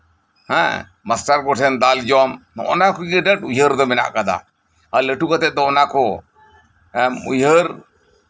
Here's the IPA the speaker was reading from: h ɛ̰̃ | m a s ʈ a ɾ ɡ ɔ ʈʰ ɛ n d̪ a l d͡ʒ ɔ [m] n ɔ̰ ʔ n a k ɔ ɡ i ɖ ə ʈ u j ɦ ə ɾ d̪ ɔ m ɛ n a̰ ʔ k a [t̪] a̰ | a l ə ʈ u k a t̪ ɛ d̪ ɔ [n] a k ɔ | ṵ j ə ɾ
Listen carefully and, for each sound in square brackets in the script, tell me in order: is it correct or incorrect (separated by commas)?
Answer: correct, incorrect, correct